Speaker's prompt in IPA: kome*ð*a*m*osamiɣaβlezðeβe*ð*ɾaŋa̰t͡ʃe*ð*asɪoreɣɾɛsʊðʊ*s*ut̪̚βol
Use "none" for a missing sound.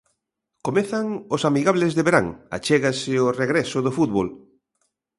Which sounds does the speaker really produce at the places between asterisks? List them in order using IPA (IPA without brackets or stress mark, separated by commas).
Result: θ, ŋ, none, ɣ, f